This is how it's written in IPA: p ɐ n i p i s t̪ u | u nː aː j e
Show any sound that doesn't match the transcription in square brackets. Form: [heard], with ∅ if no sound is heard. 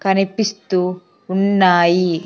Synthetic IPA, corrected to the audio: [k] ɐ n i p i s t̪ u | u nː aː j [i]